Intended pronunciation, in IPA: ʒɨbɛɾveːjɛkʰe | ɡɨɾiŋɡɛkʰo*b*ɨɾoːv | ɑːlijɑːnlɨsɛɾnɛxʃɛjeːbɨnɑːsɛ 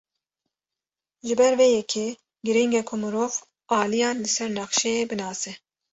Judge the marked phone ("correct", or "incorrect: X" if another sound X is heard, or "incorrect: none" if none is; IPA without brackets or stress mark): incorrect: m